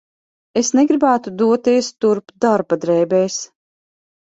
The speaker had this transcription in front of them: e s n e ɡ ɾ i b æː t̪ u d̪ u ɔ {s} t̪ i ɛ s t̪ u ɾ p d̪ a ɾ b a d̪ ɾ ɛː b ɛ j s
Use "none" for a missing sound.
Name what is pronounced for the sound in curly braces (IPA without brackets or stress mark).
none